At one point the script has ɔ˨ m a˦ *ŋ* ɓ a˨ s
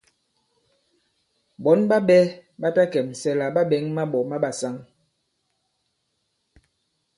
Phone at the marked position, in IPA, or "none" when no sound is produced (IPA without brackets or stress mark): none